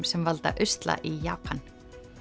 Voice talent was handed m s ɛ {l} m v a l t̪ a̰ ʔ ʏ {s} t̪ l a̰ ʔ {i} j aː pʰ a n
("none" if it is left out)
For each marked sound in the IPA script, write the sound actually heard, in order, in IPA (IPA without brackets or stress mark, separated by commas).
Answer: none, s, i